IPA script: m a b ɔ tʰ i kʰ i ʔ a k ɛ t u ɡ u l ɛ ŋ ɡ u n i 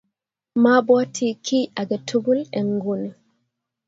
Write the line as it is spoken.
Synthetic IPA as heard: m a b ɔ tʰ i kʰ i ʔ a ɡ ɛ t u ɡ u l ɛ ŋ ɡ u n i

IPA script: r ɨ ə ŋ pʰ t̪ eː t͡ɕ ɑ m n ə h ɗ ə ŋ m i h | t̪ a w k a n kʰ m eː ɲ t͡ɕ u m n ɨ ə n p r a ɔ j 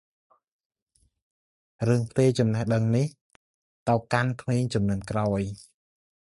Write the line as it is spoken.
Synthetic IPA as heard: r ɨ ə ŋ pʰ t̪ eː t͡ɕ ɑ m n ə h ɗ ə ŋ n i h | t̪ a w k a n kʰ m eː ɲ t͡ɕ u m n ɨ ə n k r a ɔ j

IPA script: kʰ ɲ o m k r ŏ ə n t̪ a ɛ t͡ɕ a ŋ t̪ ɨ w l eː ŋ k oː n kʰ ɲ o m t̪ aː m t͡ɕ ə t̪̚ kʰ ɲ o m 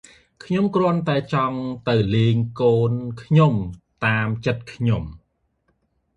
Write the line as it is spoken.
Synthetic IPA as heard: kʰ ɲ o m k r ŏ ə n t̪ a ɛ t͡ɕ ɑ ŋ t̪ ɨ w l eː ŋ k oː n kʰ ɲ o m t̪ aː m t͡ɕ ə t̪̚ kʰ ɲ o m

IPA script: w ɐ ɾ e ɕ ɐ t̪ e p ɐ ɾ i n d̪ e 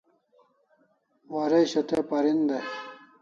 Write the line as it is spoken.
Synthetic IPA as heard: w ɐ ɾ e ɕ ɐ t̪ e p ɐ ɾ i n d̪ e

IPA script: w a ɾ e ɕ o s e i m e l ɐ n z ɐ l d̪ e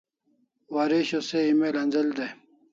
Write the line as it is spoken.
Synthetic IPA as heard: w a ɾ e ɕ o s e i m e l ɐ n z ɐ l d̪ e

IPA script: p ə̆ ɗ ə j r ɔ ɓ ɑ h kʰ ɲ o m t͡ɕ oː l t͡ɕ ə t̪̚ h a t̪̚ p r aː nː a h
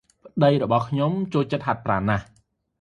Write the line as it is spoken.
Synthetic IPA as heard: p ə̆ ɗ ə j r ɔ ɓ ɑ h kʰ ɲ o m t͡ɕ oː l t͡ɕ ə t̪̚ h a t̪̚ p r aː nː a h

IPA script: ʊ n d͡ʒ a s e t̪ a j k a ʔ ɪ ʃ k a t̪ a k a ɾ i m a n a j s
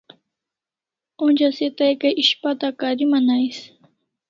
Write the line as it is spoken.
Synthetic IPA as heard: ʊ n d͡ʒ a s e t̪ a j k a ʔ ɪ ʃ p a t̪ a k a ɾ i m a n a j s

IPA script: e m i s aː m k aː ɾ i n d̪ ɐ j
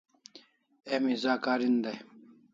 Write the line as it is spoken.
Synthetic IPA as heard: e m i z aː k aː ɾ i n d̪ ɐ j

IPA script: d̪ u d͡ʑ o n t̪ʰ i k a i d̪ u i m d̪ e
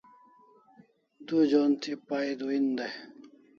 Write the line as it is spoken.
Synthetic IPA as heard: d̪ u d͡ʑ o n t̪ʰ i p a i d̪ u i n d̪ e

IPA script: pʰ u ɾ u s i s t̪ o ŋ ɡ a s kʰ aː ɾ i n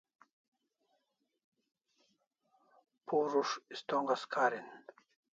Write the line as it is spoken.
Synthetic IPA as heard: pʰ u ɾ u ʂ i s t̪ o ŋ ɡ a s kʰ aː ɾ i n

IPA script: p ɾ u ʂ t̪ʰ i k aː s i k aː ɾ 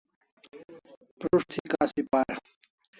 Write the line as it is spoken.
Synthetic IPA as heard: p ɾ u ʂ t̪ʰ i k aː s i p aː ɾ

